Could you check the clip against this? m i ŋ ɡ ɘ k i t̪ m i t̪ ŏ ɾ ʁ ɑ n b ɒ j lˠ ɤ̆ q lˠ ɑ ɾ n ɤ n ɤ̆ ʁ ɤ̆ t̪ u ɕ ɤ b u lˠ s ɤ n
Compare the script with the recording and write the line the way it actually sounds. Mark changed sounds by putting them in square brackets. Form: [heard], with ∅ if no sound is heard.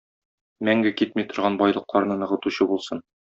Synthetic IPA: m [æ] ŋ ɡ ɘ k i t̪ m i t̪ ŏ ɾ ʁ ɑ n b ɒ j lˠ ɤ̆ q lˠ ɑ ɾ n ɤ n ɤ̆ ʁ ɤ̆ t̪ u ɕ ɤ b u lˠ s ɤ n